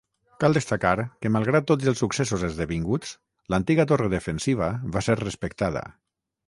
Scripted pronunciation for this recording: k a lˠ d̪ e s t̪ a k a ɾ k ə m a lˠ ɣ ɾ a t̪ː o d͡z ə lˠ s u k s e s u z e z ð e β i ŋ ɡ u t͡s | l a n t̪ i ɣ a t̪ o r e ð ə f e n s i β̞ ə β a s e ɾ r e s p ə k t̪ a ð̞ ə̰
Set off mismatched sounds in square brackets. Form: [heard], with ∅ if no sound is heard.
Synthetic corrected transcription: k a lˠ d̪ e s t̪ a k a ɾ k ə m a lˠ ɣ ɾ a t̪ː o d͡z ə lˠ s u k s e s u z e z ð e β i ŋ ɡ u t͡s | l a n t̪ i ɣ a t̪ o r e ð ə f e n s i β̞ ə β a s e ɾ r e s p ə k t̪ a ð̞ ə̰

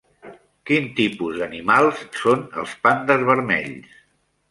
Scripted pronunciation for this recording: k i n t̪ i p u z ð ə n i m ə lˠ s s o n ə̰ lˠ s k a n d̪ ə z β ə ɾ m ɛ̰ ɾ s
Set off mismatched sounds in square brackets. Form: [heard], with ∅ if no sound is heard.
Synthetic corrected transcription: k i n t̪ i p u z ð ə n i m [a] lˠ s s o n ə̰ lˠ s [p] a n d̪ ə z β ə ɾ m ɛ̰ [ʎ] s

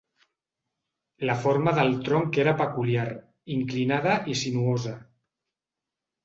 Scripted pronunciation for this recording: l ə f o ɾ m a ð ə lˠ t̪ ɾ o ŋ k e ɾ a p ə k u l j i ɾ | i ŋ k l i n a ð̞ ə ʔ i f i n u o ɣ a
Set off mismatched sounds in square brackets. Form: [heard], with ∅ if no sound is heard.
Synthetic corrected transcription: l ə f o ɾ m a ð ə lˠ t̪ ɾ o ŋ k e ɾ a p ə k u l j [a] ɾ | i ŋ k l i n a ð̞ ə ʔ i [s] i n u o [z] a

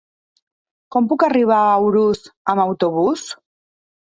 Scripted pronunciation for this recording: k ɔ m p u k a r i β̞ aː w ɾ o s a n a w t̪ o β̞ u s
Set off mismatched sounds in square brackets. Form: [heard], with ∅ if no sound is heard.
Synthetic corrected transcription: k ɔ m p u k a r i β̞ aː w ɾ [u] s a [m] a w t̪ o β̞ u s

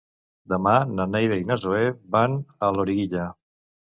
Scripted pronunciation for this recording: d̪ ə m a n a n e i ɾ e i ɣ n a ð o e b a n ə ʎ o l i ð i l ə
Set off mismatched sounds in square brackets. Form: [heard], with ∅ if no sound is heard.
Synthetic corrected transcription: d̪ ə m a n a n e [j] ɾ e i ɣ n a [z] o e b a n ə [l] o [ɾ] i [ɣ] i [ʎ] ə

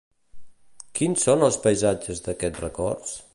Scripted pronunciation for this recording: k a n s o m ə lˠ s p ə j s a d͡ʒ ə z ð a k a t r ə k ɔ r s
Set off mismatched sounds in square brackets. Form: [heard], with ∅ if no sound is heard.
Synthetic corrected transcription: k [i] n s o [n] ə lˠ s p ə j [z] a d͡ʒ ə z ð [ə] k [ɛ] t r ə k ɔ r s

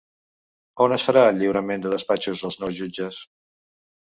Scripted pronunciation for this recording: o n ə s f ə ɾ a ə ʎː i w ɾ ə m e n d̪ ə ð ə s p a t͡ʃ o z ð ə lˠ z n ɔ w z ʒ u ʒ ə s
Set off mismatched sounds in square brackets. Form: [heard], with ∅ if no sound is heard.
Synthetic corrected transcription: o n ə s f ə ɾ a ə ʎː i w ɾ ə m e n d̪ ə ð ə s p a t͡ʃ [u] z ð ə lˠ z n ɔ w z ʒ u [d͡ʒ] ə s

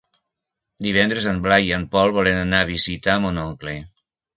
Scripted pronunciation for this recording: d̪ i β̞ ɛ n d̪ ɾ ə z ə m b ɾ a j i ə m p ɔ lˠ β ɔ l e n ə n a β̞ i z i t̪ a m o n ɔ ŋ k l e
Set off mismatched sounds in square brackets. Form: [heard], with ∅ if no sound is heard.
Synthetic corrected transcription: d̪ i β̞ ɛ n d̪ ɾ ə z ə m b [l] a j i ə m p ɔ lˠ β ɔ l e n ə n a β̞ i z i t̪ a m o n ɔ ŋ k l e

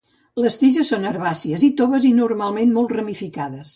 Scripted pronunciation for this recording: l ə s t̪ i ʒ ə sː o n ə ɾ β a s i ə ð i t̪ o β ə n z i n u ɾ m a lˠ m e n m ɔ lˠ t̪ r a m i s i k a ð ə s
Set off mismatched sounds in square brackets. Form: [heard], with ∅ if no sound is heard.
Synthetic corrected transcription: l ə s t̪ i ʒ ə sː o n ə ɾ β a s i ə [z] i t̪ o β ə [∅] z i n u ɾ m a lˠ m e n m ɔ lˠ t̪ r [ə] m i [f] i k a ð ə s

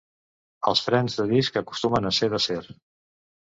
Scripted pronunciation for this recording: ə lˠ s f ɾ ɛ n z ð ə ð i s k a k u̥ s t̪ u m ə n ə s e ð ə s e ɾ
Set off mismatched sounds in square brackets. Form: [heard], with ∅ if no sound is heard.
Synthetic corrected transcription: ə lˠ s f ɾ ɛ n z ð ə ð i s k [ə] k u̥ s t̪ u m ə n ə s e ð ə s e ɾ

